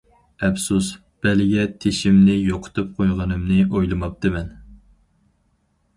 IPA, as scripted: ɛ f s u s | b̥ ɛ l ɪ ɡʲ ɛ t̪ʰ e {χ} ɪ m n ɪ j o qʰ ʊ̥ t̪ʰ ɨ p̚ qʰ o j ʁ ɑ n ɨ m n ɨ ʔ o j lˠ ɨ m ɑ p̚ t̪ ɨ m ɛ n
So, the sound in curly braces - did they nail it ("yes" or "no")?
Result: no